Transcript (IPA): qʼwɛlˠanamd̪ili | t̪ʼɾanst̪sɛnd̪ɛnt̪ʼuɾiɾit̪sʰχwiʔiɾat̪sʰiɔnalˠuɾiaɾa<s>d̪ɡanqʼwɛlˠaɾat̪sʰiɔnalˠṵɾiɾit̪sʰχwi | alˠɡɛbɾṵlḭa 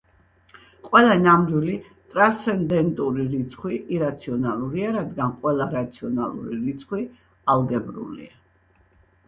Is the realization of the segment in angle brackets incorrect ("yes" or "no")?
yes